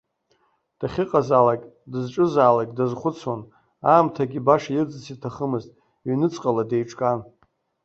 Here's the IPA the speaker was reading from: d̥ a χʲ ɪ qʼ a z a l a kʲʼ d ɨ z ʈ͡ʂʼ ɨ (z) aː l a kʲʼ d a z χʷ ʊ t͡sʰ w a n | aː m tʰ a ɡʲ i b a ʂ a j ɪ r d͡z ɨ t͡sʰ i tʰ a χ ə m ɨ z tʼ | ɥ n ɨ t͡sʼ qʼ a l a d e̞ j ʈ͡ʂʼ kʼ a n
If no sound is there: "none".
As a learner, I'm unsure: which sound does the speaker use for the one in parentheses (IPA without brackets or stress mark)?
z